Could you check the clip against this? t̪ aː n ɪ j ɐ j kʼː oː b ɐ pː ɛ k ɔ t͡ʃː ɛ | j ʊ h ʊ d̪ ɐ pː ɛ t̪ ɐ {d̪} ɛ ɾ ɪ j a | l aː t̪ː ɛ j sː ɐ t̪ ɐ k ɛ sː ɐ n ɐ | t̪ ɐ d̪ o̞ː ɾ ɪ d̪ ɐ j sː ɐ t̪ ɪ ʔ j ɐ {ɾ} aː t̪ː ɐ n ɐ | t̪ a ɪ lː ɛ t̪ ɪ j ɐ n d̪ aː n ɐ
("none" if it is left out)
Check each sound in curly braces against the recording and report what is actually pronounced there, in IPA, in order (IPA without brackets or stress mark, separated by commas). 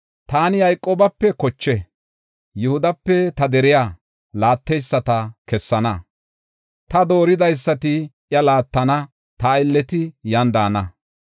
d̪, l